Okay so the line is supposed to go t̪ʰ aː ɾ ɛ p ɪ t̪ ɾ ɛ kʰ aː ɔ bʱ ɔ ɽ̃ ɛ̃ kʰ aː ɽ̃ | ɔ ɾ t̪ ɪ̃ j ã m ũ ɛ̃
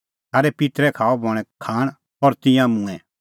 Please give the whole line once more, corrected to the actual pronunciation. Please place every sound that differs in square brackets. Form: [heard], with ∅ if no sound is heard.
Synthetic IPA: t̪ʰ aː ɾ ɛ p ɪ t̪ ɾ ɛ kʰ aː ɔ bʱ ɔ ɽ̃ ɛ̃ kʰ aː ɽ̃ | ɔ ɾ t̪ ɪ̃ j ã m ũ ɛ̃

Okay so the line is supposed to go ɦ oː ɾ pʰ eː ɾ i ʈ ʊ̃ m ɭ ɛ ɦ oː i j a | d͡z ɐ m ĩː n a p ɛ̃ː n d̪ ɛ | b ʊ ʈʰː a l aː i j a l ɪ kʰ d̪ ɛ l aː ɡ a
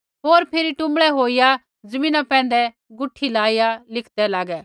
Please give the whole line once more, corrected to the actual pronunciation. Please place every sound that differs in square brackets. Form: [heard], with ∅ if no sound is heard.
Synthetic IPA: ɦ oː ɾ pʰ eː ɾ i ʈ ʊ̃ m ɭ ɛ ɦ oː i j a | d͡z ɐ m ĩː n a p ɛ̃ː n d̪ ɛ | [ɡ] ʊ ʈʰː [i] l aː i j a l ɪ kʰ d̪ ɛ l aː ɡ [ɛ]

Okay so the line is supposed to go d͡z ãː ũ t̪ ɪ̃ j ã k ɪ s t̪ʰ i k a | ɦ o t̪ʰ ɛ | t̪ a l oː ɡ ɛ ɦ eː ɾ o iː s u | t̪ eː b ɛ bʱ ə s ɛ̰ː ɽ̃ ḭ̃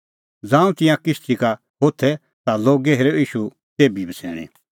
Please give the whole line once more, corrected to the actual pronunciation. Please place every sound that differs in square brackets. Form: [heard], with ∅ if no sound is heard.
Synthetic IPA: d͡z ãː ũ t̪ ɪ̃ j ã k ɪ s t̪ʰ i k a | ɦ o t̪ʰ ɛ | t̪ a l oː ɡ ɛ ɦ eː ɾ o iː [ʃ] u | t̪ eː b [i] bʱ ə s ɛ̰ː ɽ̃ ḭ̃

